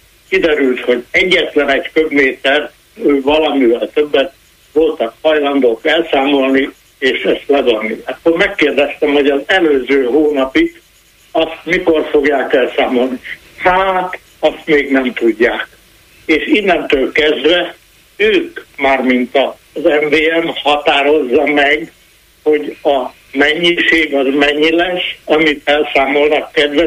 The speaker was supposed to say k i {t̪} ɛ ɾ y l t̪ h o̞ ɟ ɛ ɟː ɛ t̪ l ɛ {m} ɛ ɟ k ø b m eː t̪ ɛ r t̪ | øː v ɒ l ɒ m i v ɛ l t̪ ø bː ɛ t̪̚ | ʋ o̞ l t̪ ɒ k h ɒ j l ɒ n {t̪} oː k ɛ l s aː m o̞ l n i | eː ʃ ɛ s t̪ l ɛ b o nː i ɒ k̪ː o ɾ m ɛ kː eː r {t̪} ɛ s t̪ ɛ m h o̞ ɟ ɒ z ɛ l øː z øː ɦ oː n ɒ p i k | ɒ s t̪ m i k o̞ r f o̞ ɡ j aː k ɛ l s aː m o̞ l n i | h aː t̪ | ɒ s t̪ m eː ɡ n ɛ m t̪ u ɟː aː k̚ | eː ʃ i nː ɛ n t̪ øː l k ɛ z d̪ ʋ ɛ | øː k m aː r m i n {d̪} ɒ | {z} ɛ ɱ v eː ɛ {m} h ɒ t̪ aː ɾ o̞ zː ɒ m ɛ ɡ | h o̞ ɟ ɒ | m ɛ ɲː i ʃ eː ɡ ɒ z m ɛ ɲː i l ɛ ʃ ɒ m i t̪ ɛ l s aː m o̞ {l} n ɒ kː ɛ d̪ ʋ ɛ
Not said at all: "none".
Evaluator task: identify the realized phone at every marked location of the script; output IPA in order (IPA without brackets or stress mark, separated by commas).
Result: d̪, n, d̪, d̪, t̪, z, m, l